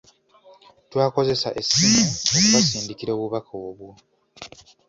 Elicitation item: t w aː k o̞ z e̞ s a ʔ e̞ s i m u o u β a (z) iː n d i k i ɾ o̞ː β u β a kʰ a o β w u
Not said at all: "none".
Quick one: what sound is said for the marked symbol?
s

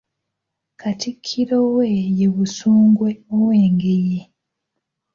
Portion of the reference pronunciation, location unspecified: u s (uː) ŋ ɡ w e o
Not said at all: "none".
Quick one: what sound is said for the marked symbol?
uː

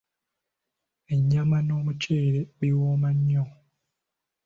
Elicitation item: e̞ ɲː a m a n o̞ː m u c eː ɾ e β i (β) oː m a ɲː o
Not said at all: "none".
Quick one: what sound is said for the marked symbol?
w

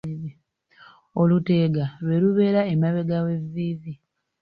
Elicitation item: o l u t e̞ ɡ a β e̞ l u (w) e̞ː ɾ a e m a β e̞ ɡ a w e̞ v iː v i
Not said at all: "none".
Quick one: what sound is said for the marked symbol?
β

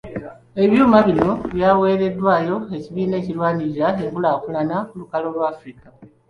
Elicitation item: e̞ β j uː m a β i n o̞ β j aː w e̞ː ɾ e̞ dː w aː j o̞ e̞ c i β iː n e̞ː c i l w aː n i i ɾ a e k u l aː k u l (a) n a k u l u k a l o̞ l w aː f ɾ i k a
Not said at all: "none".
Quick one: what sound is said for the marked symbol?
a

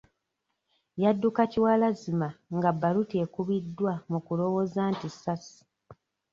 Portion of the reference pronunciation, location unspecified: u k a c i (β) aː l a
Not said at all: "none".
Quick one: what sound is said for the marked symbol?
w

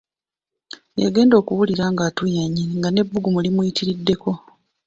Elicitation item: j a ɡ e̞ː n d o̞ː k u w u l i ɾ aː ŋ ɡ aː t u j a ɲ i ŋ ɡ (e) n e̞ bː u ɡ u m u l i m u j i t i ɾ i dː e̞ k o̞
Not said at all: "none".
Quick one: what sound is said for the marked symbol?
a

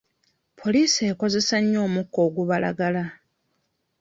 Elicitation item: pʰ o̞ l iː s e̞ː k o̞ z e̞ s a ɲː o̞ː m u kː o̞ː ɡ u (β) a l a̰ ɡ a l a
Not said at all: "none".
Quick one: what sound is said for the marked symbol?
β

